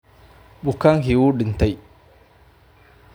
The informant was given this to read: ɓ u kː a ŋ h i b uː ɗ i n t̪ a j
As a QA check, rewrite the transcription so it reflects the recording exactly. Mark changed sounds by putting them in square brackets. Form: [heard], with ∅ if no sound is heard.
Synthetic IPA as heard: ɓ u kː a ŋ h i [w] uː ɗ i n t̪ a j